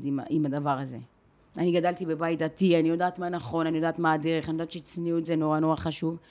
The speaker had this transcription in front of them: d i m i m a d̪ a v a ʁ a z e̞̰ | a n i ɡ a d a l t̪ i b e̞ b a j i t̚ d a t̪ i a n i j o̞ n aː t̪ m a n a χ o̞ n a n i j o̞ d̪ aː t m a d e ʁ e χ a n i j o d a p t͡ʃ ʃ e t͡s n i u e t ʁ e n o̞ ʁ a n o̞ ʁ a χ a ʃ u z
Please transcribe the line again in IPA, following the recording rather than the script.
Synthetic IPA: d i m i m a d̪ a v a ʁ a z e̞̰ | a n i ɡ a d a l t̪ i b e̞ b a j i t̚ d a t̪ i a n i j o̞ d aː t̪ m a n a χ o̞ n a n i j o̞ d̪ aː t m a d e ʁ e χ a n i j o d a t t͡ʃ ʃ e t͡s n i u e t z e n o̞ ʁ a n o̞ ʁ a χ a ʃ u v